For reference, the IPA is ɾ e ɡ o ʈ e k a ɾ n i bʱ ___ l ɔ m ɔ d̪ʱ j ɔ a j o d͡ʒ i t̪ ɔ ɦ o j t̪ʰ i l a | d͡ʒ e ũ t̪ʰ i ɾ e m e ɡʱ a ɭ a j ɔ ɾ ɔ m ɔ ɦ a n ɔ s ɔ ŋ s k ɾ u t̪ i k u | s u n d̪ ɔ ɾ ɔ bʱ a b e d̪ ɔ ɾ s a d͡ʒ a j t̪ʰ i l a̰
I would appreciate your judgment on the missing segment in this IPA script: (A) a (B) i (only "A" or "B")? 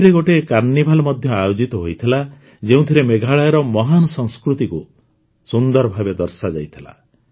A